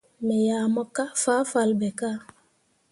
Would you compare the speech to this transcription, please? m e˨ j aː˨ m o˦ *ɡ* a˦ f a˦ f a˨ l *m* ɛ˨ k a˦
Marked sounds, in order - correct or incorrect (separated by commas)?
incorrect, incorrect